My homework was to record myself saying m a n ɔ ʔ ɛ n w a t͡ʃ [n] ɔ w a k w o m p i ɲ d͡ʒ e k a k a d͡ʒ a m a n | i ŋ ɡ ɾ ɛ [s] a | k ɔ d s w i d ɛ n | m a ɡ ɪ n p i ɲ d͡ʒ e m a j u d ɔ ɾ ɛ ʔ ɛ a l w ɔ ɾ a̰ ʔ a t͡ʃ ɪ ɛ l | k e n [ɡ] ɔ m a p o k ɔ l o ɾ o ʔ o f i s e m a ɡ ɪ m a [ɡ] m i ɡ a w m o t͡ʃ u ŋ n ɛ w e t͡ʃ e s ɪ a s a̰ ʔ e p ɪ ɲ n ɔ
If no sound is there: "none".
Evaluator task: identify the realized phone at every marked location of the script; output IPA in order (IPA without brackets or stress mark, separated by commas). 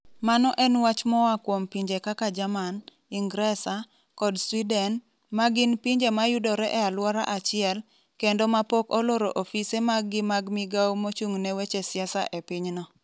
m, s, d, ɡ